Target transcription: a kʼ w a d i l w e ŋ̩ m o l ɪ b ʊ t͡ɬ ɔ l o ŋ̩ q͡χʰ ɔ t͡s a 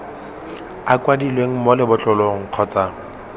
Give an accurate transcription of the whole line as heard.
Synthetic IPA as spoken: a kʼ w a d i l w e ŋ̩ m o l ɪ b ʊ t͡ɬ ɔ l o ŋ̩ q͡χʰ ɔ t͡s a